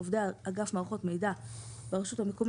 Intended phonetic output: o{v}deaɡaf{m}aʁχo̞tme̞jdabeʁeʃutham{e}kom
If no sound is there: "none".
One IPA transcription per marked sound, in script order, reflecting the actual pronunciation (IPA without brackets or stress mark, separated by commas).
v, m, e